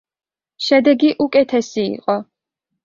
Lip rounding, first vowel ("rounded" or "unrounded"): unrounded